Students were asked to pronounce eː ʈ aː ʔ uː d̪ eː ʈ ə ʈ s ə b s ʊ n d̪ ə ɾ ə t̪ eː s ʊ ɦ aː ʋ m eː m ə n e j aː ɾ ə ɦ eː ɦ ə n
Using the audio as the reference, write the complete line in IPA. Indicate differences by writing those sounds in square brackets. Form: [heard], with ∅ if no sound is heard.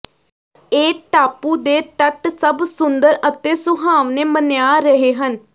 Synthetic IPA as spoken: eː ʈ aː [p] uː d̪ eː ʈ ə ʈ s ə b s ʊ n d̪ ə ɾ ə t̪ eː s ʊ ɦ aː ʋ [n] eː m ə n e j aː ɾ ə ɦ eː ɦ ə n